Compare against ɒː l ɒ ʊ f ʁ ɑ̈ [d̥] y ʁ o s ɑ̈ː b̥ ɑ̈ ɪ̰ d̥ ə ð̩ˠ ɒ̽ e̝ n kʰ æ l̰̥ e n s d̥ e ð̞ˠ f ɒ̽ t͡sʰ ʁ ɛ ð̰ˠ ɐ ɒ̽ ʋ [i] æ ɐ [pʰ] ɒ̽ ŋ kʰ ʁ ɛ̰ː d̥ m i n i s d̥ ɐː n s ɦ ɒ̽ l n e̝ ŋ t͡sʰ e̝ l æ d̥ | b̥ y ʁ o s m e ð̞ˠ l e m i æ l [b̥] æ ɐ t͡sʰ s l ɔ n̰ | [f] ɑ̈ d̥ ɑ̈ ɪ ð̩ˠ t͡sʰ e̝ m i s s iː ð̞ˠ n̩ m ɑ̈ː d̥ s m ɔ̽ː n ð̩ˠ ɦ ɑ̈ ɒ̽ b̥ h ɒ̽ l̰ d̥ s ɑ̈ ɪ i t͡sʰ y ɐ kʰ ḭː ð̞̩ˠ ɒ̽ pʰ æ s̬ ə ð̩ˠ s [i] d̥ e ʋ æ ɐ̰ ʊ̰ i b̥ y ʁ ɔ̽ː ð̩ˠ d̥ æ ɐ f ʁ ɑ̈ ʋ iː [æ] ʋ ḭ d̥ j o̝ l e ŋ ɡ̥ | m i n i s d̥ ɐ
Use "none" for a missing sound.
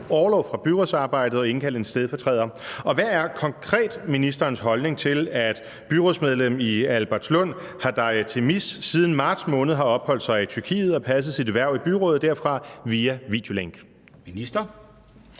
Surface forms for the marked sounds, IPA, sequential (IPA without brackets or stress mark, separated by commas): b̥, æ, kʰ, b̥, h, i, æ